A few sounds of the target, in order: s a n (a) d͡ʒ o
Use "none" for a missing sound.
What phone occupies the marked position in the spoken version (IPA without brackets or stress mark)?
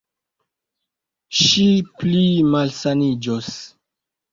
i